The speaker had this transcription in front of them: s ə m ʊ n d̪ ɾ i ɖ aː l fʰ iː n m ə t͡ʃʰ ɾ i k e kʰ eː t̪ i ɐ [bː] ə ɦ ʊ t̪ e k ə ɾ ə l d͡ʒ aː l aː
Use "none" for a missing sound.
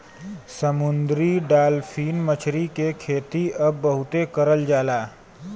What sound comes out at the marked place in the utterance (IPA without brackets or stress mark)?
bː